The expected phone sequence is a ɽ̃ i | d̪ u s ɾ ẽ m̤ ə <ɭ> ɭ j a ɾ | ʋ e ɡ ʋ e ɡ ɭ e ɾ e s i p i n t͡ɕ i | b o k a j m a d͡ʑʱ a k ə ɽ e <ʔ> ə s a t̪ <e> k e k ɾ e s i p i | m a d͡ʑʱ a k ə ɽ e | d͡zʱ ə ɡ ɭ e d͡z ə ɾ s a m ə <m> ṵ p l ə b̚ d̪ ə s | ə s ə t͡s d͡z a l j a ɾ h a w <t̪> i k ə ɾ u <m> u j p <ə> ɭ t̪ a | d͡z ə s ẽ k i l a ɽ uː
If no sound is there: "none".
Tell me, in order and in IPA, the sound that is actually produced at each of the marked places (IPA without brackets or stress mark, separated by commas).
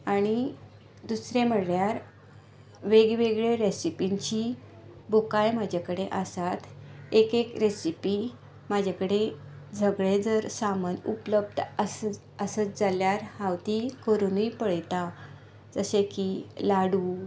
ɽ, ʔ, e, n, t̪, n, ə